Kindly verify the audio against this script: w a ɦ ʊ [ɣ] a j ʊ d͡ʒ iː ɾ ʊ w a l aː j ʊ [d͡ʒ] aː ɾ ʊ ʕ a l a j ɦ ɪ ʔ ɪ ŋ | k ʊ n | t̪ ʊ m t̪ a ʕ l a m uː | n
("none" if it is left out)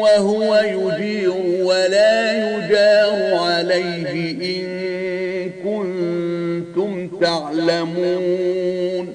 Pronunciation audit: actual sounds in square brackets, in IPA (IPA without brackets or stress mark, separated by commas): w, d͡ʒ